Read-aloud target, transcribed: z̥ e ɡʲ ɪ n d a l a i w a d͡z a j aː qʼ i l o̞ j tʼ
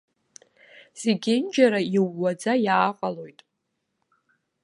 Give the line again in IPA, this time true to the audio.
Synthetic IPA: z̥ e ɡʲ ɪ n d͡ʒ a ɾ a i wː a d͡z a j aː qʼ a l o̞ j tʼ